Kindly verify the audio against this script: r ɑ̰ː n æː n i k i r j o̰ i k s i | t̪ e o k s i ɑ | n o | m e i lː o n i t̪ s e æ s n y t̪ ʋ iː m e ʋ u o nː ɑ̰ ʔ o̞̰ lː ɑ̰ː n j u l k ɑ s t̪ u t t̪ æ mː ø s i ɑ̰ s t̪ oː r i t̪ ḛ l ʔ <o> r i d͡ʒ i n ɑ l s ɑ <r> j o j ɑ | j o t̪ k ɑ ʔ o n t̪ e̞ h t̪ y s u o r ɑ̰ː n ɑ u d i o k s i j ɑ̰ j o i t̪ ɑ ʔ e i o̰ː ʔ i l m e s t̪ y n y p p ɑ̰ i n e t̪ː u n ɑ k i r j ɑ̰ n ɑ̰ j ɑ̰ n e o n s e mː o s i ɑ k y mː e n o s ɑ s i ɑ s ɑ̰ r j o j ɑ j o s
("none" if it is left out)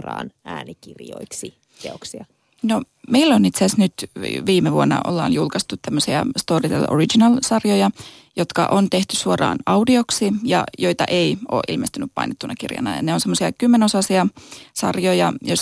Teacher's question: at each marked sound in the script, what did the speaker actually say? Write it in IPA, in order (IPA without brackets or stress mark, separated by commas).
o, r